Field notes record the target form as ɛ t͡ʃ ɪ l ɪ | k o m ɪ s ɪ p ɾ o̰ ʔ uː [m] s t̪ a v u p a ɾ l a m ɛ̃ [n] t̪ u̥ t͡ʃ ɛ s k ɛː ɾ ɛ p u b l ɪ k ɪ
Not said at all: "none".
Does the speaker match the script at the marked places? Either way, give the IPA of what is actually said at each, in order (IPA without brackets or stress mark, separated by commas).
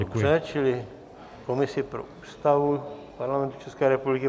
none, n